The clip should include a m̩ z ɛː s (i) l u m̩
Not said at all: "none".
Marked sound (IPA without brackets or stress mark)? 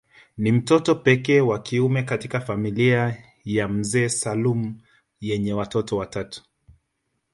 a